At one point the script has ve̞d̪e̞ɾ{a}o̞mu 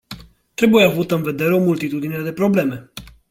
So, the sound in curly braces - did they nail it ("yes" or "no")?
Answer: no